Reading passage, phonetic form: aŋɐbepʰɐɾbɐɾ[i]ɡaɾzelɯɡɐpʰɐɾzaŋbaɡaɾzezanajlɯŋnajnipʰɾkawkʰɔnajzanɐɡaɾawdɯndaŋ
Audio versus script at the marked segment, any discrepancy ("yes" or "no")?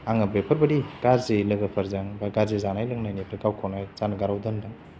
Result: no